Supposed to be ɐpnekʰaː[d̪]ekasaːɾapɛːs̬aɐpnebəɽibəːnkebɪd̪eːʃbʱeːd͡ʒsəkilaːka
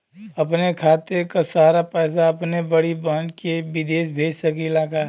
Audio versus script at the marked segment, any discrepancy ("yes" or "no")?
yes